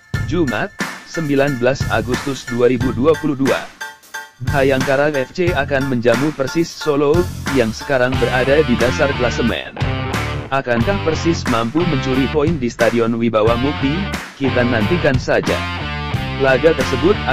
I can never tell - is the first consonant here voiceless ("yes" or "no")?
no